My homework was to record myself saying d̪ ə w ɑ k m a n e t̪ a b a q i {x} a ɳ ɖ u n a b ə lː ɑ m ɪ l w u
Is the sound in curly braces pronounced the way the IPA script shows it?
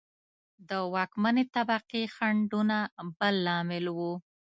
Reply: yes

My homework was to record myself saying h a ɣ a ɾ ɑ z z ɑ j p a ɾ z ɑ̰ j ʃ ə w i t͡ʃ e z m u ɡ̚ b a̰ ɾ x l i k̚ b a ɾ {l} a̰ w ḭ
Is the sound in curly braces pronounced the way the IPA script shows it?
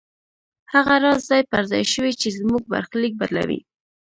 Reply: yes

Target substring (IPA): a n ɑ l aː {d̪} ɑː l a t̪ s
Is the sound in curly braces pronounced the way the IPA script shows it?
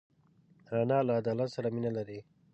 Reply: yes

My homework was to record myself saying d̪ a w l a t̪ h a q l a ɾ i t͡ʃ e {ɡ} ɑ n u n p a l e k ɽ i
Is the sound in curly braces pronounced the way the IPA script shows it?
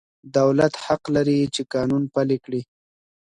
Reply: no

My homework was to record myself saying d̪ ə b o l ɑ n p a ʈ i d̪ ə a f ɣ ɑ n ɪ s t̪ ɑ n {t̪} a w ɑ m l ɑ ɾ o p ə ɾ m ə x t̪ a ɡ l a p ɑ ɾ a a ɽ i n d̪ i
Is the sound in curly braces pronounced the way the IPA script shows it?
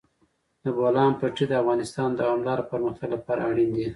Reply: no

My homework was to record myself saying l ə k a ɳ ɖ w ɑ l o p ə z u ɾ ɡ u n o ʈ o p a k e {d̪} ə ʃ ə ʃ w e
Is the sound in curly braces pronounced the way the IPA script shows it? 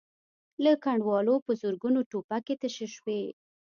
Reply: no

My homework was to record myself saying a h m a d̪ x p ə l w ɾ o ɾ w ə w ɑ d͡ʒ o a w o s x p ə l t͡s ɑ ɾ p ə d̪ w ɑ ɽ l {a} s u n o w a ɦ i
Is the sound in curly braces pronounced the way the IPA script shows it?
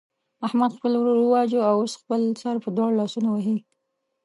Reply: no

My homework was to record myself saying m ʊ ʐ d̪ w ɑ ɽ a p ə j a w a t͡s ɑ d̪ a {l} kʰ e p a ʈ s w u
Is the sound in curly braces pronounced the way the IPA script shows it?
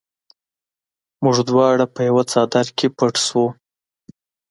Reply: no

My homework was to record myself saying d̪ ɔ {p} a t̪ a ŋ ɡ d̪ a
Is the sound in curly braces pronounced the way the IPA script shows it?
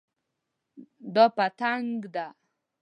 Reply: yes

